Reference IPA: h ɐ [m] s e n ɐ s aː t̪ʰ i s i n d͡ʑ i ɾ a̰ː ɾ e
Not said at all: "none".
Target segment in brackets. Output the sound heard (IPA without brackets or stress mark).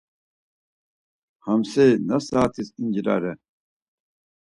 m